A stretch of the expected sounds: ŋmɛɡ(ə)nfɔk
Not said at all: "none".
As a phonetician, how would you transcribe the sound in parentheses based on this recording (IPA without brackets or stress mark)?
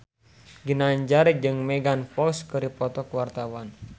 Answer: a